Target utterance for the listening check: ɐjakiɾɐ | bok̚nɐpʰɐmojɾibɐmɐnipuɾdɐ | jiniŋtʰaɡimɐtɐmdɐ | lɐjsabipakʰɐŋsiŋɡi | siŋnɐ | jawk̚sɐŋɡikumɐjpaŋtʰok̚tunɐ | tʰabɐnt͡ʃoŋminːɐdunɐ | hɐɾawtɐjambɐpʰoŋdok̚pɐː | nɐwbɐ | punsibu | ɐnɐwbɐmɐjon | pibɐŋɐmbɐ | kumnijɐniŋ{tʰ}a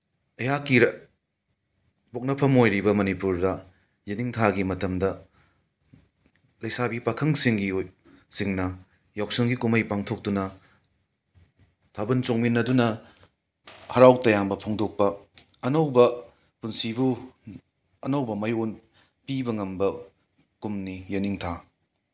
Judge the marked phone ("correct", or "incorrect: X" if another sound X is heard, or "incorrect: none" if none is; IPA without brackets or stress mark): correct